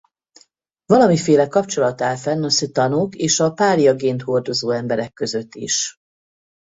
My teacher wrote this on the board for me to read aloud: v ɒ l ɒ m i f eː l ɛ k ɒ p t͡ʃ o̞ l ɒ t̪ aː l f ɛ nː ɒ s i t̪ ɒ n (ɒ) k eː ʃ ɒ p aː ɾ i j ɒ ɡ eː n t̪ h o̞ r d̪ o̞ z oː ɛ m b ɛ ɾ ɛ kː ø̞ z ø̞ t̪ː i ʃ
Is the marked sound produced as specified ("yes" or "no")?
no